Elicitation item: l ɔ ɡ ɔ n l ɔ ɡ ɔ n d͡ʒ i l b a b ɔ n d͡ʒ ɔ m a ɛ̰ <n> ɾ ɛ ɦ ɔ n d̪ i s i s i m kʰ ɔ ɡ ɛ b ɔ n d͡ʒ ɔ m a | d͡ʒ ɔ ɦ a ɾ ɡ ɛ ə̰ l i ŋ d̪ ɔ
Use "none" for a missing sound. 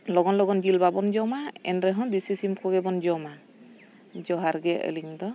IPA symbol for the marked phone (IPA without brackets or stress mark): n